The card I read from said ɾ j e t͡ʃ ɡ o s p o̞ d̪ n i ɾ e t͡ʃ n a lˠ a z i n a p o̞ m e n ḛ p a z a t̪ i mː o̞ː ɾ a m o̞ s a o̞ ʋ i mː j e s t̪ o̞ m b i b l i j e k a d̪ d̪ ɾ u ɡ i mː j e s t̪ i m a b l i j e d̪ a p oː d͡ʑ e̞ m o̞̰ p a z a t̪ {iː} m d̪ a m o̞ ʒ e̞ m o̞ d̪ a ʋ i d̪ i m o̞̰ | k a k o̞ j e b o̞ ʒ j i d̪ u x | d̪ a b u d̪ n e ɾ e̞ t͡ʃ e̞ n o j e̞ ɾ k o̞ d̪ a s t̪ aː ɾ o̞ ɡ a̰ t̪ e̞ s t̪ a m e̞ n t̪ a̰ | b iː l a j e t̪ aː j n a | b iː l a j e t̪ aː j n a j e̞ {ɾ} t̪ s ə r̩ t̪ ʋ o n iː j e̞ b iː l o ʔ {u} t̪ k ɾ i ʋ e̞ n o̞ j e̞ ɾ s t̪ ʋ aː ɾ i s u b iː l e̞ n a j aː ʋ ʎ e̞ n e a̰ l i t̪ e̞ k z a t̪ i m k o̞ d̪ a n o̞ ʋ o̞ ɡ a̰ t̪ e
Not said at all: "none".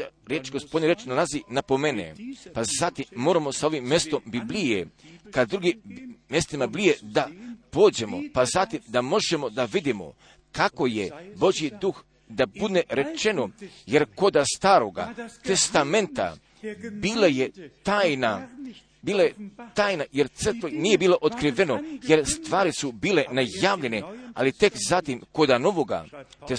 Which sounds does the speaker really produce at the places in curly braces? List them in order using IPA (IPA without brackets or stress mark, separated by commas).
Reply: i, ɾ, o